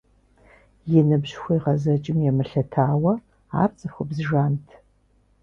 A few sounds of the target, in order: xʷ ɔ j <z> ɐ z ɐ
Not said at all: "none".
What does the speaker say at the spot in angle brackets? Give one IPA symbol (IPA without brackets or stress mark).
ʁ